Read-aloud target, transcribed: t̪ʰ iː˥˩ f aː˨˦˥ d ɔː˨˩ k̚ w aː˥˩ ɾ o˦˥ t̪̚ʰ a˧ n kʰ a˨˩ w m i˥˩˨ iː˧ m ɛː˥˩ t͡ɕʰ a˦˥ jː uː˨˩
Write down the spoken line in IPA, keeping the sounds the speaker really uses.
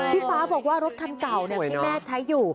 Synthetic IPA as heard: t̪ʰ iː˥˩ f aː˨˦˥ b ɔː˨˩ k̚ w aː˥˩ ɾ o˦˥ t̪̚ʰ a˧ n k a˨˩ w n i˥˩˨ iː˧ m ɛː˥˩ t͡ɕʰ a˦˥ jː uː˨˩